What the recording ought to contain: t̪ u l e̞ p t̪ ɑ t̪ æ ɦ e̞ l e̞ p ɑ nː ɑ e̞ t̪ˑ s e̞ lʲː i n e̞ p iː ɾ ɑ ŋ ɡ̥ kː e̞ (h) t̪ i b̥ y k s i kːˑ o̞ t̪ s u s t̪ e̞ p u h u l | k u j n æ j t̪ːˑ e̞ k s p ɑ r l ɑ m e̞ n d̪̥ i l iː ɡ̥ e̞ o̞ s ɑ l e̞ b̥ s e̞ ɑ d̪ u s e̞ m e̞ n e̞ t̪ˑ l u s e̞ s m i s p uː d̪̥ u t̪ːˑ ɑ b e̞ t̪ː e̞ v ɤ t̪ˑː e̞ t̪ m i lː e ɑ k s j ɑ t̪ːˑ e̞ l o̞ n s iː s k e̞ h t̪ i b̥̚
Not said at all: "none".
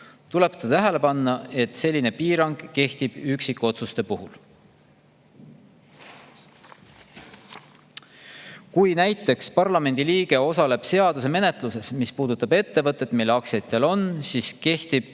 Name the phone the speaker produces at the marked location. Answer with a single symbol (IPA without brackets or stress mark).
h